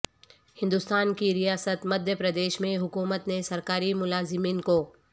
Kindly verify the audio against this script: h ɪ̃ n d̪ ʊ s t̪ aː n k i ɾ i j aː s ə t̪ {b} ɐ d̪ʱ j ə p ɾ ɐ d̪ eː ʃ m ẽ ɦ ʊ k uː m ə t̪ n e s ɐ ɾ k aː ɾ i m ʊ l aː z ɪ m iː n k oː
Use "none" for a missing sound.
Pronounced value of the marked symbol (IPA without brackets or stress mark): m